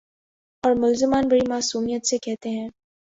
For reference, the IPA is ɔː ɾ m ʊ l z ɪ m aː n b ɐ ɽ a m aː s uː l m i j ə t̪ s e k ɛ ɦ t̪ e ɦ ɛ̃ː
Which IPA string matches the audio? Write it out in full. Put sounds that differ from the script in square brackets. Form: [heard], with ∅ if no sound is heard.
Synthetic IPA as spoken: ɔː ɾ m ʊ l z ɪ m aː n b ɐ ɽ [i] m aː s uː [∅] m i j ə t̪ s e k ɛ ɦ t̪ e ɦ ɛ̃ː